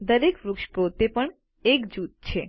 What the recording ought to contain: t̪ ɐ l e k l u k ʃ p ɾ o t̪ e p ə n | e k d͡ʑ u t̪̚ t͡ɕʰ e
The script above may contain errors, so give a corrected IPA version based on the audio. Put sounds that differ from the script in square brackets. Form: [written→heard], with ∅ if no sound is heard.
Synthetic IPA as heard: [t̪→d̪] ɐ [l→ɾ] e k [l→ɾ] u k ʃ p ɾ o t̪ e p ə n | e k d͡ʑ u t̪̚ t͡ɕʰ e